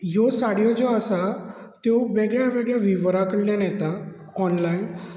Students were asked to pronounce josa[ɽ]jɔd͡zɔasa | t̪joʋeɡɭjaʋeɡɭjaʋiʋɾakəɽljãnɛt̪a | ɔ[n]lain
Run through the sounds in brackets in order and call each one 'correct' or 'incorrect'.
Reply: correct, correct

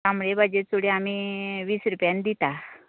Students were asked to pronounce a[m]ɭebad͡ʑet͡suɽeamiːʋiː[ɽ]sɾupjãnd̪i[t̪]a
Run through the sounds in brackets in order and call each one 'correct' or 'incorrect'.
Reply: correct, incorrect: none, correct

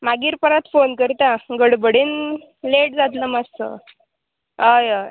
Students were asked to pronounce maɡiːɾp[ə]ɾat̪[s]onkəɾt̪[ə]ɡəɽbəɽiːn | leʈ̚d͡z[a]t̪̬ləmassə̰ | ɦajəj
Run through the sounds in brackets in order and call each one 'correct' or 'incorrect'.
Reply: correct, incorrect: f, incorrect: a, correct

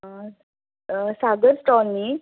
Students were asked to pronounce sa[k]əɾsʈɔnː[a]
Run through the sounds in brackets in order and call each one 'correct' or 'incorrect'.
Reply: incorrect: ɡ, incorrect: i

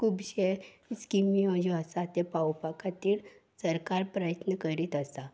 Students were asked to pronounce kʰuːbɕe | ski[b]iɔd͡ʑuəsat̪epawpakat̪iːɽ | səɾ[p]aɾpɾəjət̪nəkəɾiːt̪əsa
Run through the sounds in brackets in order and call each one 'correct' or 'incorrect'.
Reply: incorrect: m, incorrect: k

